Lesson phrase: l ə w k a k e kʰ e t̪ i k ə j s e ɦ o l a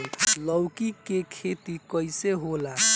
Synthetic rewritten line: l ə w k i k e kʰ e t̪ i k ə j s e ɦ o l a